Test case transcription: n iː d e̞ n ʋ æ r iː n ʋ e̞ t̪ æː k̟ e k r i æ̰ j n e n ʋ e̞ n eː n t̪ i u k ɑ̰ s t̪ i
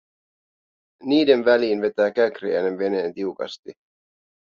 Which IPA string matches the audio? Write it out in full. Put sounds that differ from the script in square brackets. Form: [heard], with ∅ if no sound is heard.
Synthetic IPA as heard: n iː d e̞ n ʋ æ [l] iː n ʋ e̞ t̪ æː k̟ [æ] k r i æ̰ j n e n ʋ e̞ n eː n t̪ i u k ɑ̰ s t̪ i